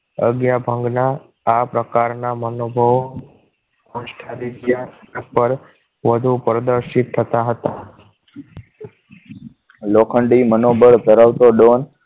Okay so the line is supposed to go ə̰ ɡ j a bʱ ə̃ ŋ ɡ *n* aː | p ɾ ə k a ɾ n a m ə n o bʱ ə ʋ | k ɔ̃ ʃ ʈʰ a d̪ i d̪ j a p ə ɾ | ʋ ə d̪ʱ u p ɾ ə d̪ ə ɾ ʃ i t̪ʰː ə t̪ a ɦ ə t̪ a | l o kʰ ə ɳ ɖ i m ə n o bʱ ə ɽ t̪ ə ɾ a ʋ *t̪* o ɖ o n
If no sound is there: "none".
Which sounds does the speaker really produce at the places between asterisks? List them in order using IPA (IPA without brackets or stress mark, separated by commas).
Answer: n, t̪